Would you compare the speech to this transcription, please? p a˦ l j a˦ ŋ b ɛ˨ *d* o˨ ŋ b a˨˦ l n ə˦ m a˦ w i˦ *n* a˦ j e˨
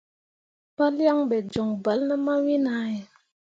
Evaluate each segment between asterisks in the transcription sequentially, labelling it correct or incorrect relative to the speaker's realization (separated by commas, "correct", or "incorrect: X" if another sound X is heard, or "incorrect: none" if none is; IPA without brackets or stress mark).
incorrect: d͡ʒ, correct